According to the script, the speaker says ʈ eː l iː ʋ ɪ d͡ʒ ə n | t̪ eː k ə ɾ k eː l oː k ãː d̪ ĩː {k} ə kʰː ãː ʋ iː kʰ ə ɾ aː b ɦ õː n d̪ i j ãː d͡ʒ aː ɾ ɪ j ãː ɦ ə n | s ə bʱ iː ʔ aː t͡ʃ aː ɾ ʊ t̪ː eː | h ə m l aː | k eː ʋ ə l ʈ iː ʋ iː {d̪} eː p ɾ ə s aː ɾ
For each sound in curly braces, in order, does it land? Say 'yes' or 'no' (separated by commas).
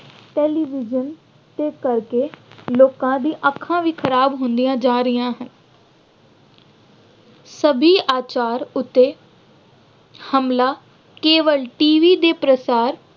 no, yes